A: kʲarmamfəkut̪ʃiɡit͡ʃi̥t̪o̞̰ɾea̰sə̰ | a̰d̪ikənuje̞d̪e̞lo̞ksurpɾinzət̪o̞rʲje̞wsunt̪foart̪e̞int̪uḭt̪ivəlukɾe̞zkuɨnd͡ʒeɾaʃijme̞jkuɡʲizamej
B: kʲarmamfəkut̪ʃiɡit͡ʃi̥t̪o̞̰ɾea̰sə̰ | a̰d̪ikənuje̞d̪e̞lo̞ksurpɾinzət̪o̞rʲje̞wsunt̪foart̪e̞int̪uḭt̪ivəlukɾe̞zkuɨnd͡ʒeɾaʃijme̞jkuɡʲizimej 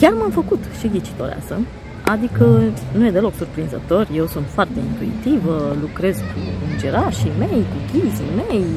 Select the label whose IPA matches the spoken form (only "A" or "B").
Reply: B